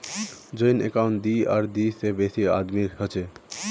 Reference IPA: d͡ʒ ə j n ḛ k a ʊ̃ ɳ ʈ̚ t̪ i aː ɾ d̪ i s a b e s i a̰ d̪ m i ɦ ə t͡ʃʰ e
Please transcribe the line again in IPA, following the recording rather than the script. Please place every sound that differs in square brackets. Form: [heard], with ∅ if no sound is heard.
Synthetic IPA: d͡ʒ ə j n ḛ k a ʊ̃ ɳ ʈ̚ [d̪] i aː ɾ d̪ i s [e] b e s i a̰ d̪ m i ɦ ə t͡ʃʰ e